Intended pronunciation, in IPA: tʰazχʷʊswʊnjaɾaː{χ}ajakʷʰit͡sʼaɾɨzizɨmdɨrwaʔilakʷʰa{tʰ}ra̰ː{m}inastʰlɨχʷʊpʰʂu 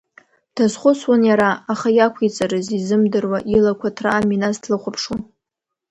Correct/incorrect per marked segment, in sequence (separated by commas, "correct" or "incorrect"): correct, correct, correct